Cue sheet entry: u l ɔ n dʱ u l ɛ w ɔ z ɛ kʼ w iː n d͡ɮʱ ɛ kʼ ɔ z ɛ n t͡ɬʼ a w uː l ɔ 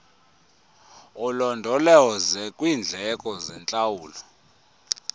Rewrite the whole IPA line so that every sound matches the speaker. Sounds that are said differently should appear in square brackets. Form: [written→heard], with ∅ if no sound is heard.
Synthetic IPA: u l ɔ n dʱ [u→ɔ] l ɛ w ɔ z ɛ kʼ w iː n d͡ɮʱ ɛ kʼ ɔ z ɛ n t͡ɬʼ a w uː l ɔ

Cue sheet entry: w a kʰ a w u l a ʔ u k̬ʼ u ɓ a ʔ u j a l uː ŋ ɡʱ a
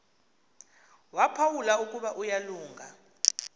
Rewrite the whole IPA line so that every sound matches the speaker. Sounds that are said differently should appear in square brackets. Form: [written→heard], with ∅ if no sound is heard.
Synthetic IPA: w a [kʰ→pʰ] a w u l a [ʔ→∅] u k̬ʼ u ɓ a ʔ u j a l uː ŋ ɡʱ a

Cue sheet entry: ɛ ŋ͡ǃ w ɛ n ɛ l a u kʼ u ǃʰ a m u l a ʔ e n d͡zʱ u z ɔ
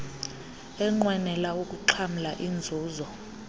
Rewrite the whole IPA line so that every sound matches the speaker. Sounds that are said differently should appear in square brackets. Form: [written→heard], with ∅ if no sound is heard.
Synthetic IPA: ɛ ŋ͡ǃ w ɛ n ɛ l a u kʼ u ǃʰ a m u l a ʔ [e→i] n d͡zʱ [u→uː] z ɔ

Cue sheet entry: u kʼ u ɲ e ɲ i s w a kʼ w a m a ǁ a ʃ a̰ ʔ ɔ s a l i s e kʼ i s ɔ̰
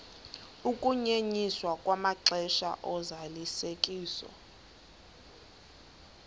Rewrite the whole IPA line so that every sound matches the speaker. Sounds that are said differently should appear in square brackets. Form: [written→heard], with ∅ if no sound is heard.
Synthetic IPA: u kʼ u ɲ e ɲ i s w a kʼ w a m a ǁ [a→ɛ] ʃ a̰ ʔ ɔ [s→z] a l i s e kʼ [i→iː] s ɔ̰

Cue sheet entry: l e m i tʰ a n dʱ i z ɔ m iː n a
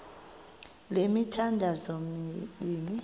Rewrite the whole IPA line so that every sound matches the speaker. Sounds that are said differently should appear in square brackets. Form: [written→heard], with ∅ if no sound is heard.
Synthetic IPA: l e m i tʰ a n dʱ [i→a] z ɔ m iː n [a→i]

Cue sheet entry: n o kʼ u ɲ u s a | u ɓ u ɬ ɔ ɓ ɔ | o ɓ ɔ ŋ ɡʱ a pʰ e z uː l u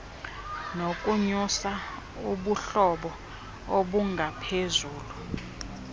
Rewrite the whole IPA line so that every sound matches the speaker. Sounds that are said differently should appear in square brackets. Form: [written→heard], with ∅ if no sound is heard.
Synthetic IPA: n o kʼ u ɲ u s a | u ɓ u ɬ ɔ ɓ ɔ | o ɓ [ɔ→u] ŋ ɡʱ a pʰ e z uː l u

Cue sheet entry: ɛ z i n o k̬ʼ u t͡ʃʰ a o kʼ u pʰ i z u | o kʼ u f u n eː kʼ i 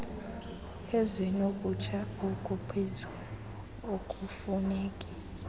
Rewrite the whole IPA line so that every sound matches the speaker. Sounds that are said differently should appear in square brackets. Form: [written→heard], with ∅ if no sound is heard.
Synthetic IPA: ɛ z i n o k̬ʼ u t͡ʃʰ a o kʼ u pʰ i z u | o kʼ u f u n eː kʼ i

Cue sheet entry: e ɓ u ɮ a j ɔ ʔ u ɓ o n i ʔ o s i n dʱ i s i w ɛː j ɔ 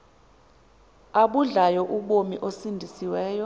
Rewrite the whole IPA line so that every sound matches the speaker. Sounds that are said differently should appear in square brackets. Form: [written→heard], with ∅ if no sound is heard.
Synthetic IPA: [e→a] ɓ u ɮ a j ɔ ʔ u ɓ o [n→m] i ʔ o s i n dʱ i s i w ɛː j ɔ

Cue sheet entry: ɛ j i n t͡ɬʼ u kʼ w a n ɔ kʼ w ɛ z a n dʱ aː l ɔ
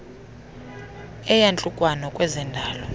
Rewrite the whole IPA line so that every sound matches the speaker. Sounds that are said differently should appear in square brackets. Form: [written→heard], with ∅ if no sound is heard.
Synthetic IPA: ɛ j [i→a] n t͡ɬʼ u kʼ w a n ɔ kʼ w ɛ z [a→ɛ] n dʱ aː l ɔ

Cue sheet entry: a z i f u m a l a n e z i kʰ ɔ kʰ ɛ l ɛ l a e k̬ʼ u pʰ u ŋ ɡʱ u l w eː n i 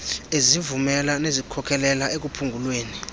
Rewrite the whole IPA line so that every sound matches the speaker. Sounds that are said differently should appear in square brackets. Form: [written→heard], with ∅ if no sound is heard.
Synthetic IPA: [a→e] z i [f→v] u m [a→ɛ] l a n e z i kʰ ɔ kʰ ɛ l ɛ l a e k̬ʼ u pʰ u ŋ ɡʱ u l w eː n i

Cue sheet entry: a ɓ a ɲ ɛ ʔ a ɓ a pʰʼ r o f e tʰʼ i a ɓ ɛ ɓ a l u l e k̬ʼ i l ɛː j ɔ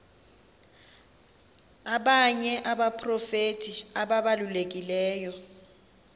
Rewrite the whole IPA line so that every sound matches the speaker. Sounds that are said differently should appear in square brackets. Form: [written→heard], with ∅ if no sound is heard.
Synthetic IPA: a ɓ a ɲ ɛ ʔ a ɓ a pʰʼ r [o→ɔ] f e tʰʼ i a ɓ [ɛ→a] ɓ a l u l e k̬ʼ i l ɛː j ɔ

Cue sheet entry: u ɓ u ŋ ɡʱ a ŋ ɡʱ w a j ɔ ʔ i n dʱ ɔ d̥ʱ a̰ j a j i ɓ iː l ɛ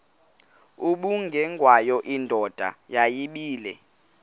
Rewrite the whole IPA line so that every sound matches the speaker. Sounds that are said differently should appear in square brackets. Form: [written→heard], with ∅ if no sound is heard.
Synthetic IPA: u ɓ u ŋ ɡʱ [a→ɛ] ŋ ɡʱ w a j ɔ ʔ i n dʱ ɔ d̥ʱ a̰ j a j i ɓ iː l ɛ

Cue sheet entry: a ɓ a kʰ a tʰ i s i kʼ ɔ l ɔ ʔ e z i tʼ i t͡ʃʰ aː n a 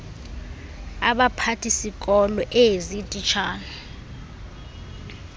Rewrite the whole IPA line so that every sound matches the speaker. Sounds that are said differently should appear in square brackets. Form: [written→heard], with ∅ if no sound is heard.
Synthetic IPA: a ɓ a [kʰ→pʰ] a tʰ i s i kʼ ɔ l ɔ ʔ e z i tʼ i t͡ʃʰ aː n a

